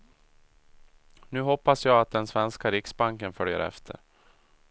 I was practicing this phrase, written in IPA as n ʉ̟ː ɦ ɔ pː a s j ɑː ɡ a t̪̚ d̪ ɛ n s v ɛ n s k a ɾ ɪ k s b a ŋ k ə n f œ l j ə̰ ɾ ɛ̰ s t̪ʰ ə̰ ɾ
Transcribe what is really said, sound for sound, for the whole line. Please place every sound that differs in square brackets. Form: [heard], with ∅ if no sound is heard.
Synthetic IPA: n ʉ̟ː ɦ ɔ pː a s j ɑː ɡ a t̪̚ d̪ ɛ n s v ɛ n s k a ɾ ɪ k s b a ŋ k ə n f œ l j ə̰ ɾ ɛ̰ [f] t̪ʰ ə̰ ɾ